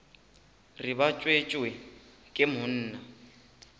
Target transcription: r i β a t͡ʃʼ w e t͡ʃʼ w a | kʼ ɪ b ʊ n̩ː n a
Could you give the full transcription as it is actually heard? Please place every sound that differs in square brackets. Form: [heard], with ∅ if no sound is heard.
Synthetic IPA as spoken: r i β a t͡ʃʼ w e t͡ʃʼ w [ɛ] | kʼ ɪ [m] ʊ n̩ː n a

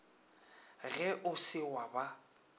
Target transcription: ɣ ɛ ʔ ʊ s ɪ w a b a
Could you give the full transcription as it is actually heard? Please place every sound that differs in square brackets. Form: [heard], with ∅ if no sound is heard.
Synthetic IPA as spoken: ɣ ɛ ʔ ʊ s ɪ w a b a

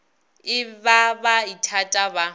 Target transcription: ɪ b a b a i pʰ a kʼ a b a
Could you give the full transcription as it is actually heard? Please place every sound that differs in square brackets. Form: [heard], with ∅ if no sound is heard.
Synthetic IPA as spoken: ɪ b a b a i [tʰ] a [tʼ] a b a

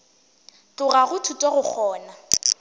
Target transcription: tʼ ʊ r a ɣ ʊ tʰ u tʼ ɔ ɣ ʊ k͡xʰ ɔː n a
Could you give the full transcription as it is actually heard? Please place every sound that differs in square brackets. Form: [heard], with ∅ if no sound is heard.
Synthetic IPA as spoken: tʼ ʊ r a ɣ ʊ tʰ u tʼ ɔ ɣ ʊ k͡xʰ ɔː n a

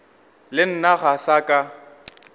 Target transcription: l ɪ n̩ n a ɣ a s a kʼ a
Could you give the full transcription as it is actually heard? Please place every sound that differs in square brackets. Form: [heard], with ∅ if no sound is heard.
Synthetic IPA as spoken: l ɪ n̩ n a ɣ a s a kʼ a

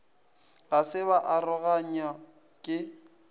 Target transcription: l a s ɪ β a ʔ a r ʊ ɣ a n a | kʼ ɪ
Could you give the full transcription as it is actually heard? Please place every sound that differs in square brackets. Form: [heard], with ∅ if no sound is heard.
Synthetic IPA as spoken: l a s ɪ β a ʔ a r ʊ ɣ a [ɲ] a | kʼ ɪ

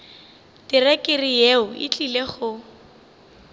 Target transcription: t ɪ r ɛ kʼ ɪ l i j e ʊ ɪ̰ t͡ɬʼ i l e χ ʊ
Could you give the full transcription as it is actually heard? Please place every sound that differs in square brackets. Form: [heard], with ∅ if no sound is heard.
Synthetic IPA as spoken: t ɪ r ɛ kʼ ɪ [r] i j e ʊ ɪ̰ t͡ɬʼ i l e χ ʊ

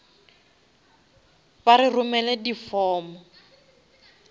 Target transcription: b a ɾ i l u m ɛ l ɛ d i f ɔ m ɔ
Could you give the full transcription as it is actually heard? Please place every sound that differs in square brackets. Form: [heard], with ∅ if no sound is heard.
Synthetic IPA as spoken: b a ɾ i [r] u m ɛ l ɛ d i f [ɔː] m ɔ

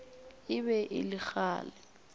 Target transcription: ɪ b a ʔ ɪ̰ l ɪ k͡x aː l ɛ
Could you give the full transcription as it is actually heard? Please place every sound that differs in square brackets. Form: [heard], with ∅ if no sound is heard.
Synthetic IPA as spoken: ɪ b [ɛ] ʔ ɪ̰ l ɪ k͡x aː l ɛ

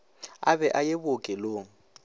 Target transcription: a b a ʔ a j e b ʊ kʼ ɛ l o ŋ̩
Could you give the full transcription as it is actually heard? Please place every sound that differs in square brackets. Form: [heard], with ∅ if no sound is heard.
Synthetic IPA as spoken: a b [ɛ] ʔ a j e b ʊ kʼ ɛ l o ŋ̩

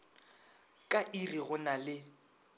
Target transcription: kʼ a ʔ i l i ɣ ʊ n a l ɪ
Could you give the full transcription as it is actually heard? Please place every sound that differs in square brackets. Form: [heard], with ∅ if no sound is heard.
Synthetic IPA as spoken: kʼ a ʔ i [r] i ɣ ʊ n a l ɪ

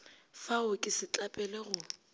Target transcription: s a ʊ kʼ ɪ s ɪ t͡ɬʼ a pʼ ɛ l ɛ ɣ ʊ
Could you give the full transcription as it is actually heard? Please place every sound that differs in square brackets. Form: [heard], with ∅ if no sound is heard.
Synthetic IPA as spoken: [f] a ʊ kʼ ɪ s ɪ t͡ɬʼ a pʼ ɛ l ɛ ɣ ʊ

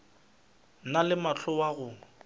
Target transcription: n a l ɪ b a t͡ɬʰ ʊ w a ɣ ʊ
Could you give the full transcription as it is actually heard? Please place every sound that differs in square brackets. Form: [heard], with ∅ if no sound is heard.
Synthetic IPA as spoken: n a l ɪ [m] a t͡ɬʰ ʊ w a ɣ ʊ

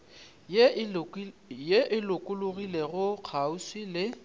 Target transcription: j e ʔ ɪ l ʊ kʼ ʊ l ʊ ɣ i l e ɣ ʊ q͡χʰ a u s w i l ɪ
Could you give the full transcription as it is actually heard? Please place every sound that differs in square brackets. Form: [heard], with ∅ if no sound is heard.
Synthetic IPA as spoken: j e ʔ ɪ l ʊ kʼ ʊ l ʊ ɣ i l e ɣ ʊ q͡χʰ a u s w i l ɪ

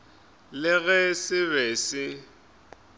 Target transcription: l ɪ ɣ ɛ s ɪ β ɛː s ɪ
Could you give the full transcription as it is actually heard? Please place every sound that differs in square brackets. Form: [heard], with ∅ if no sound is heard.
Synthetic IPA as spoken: l ɪ ɣ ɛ s ɪ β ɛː s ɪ

